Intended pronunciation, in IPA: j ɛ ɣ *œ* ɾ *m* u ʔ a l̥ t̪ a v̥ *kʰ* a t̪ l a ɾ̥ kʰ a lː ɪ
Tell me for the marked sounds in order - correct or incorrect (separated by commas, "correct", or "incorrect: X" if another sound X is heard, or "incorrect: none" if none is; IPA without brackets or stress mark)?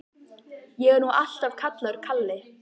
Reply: incorrect: ɛ, incorrect: n, correct